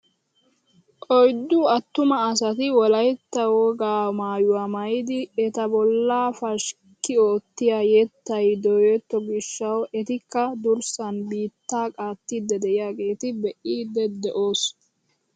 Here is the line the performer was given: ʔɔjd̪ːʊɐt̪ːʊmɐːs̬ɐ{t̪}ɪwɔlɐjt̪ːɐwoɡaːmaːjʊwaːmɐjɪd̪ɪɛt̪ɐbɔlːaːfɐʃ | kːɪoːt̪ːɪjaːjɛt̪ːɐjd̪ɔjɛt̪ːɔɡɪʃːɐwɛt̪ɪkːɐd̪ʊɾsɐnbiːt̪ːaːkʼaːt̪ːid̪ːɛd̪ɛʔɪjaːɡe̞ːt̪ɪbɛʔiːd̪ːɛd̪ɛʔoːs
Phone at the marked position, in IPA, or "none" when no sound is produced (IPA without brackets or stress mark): t̪